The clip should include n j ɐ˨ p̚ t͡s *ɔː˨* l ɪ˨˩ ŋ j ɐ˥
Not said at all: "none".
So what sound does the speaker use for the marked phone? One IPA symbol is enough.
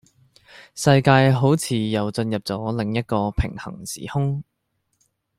ɔː˨˥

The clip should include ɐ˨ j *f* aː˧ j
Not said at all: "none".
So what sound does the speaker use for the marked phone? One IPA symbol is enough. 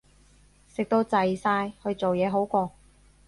s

